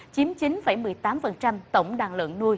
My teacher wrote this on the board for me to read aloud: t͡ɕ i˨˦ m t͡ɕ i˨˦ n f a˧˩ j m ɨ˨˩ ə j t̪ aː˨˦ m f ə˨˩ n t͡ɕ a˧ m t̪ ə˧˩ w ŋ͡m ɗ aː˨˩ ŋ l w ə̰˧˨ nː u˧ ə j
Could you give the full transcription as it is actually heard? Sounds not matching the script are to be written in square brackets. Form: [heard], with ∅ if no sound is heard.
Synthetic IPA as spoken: t͡ɕ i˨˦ m t͡ɕ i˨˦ n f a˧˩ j m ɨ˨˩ ə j t̪ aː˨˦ m f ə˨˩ n t͡ɕ a˧ m t̪ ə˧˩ w ŋ͡m ɗ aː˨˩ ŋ l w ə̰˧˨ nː u˧ ə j